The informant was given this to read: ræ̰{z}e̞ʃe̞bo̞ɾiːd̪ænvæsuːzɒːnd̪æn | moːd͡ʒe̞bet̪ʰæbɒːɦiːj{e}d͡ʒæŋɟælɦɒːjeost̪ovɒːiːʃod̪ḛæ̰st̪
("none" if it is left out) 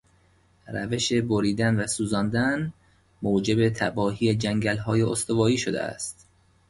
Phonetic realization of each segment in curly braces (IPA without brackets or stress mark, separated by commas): v, e